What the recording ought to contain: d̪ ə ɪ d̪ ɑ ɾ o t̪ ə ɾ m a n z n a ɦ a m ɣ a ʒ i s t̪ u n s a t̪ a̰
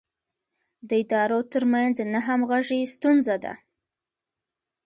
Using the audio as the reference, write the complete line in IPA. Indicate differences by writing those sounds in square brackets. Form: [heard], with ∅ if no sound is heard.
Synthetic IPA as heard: d̪ ə ɪ d̪ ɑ ɾ o t̪ ə ɾ m a n z n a ɦ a m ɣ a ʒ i s t̪ u n [z] a [d̪] a̰